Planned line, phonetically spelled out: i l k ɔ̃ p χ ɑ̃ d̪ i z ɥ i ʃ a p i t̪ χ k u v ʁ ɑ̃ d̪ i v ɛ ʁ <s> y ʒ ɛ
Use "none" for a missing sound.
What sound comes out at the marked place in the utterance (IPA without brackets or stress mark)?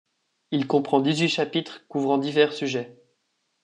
s